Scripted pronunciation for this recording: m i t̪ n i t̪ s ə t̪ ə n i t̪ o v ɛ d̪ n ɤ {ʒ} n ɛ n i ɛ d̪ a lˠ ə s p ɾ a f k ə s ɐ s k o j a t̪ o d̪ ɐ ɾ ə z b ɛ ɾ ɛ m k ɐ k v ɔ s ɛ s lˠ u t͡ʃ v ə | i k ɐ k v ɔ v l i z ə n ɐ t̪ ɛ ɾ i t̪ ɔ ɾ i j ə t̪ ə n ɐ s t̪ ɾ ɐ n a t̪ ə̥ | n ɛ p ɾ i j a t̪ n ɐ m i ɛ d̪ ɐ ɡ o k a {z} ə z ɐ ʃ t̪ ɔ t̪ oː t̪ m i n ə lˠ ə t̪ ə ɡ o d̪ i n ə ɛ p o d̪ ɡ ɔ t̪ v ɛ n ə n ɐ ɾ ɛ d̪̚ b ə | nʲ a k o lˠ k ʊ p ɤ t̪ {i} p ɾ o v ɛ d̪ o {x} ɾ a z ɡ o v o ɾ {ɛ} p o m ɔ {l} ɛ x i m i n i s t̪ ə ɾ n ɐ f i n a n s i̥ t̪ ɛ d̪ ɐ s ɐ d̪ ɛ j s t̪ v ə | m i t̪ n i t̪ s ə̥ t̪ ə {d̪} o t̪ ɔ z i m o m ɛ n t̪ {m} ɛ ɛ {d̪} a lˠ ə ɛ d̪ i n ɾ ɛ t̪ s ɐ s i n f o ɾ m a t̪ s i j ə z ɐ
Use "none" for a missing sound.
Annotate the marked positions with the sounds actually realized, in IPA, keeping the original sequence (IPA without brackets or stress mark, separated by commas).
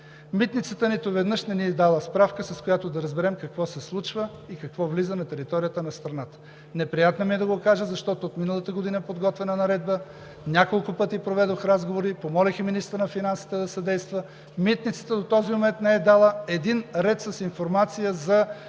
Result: ʃ, ʒ, i, x, i, l, d̪, n, d̪